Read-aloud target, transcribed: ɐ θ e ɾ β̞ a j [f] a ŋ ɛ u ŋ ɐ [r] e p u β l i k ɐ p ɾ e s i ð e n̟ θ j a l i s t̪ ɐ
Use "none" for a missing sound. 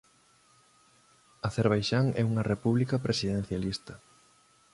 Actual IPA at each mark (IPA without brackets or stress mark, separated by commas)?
ʃ, r